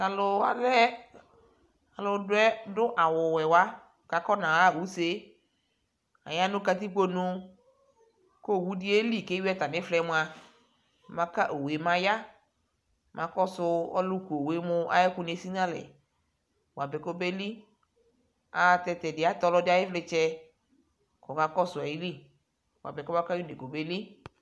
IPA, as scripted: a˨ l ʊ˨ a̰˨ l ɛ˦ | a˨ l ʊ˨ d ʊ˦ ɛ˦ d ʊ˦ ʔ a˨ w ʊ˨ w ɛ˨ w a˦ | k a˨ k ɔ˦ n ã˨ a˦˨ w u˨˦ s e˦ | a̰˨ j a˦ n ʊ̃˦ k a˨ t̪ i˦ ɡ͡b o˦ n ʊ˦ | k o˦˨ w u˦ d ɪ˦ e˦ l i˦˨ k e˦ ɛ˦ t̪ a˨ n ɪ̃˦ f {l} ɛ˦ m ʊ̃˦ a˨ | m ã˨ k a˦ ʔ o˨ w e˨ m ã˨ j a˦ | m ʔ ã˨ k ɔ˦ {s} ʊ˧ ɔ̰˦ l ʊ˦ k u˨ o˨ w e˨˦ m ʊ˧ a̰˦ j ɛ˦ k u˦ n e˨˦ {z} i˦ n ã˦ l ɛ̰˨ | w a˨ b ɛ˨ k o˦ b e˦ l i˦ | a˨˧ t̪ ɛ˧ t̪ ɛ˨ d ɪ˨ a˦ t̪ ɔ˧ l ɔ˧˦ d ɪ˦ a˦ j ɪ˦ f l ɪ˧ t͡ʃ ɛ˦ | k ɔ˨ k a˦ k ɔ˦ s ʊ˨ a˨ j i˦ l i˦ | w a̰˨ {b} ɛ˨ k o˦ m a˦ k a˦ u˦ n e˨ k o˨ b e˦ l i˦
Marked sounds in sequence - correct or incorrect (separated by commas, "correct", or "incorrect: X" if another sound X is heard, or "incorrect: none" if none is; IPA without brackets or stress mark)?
correct, correct, incorrect: s, correct